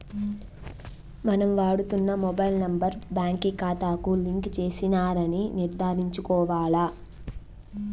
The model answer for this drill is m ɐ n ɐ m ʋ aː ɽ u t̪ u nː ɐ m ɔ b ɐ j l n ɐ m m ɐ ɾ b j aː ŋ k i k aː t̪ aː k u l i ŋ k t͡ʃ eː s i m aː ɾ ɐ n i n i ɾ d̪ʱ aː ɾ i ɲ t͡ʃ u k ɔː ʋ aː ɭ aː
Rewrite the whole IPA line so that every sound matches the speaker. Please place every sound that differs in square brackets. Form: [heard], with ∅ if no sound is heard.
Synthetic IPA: m ɐ n ɐ m ʋ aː ɽ u t̪ u nː ɐ m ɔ b ɐ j l n ɐ m [b] ɐ ɾ b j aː ŋ k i k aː t̪ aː k u l i ŋ k t͡ʃ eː s i [n] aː ɾ ɐ n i n i ɾ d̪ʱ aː ɾ i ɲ t͡ʃ u k ɔː ʋ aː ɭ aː